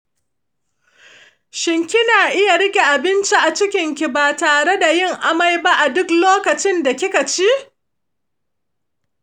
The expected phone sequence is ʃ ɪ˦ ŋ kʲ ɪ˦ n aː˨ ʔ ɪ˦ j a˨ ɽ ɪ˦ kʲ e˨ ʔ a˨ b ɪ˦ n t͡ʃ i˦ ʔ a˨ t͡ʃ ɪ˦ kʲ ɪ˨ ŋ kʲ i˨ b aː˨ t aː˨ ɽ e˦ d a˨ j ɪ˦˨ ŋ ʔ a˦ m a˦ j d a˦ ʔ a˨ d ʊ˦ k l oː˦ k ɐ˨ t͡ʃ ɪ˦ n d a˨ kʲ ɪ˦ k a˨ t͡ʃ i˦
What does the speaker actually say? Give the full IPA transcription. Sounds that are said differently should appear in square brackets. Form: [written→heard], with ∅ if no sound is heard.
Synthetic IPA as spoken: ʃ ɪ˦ ŋ kʲ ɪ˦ n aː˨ ʔ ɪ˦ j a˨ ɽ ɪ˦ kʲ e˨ ʔ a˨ b ɪ˦ n t͡ʃ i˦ ʔ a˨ t͡ʃ ɪ˦ kʲ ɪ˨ ŋ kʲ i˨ b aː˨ t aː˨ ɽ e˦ d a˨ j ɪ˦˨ ŋ ʔ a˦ m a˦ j [d→b] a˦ ʔ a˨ d ʊ˦ k l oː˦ k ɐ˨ t͡ʃ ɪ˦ n d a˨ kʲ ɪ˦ k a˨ t͡ʃ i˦